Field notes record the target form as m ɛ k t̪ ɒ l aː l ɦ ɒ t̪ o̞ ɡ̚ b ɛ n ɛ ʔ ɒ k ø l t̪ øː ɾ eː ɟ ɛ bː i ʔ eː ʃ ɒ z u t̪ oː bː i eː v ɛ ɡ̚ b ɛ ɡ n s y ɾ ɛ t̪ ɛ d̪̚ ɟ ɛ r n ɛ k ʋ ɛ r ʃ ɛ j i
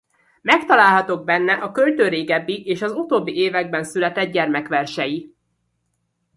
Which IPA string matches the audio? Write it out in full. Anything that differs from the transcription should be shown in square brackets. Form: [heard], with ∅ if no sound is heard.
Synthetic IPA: m ɛ k t̪ ɒ l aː l ɦ ɒ t̪ o̞ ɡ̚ b ɛ [nː] ɛ ʔ ɒ k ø l t̪ øː ɾ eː [ɡ] ɛ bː i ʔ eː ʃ ɒ z u t̪ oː bː i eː v ɛ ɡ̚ b ɛ [∅] n s y [l] ɛ t̪ ɛ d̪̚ ɟ ɛ r [m] ɛ k ʋ ɛ r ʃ ɛ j i